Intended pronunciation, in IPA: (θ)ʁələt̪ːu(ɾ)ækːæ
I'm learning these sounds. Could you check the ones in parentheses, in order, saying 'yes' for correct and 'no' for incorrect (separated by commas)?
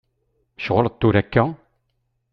no, yes